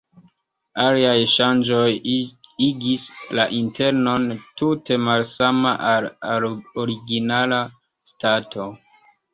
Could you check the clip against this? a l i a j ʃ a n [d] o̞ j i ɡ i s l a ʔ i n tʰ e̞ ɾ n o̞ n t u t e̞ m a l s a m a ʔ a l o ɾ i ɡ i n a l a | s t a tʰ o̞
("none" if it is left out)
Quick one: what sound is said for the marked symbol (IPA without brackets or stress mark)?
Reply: d͡ʒ